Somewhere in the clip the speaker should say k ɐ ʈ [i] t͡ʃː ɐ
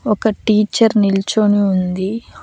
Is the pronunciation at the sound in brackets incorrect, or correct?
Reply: incorrect